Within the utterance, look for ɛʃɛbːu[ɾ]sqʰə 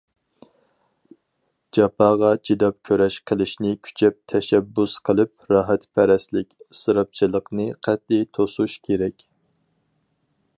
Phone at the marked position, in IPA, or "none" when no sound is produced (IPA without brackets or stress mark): none